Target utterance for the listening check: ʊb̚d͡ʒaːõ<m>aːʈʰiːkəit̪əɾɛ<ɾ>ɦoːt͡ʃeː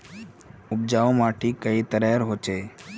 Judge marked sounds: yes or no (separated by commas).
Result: yes, yes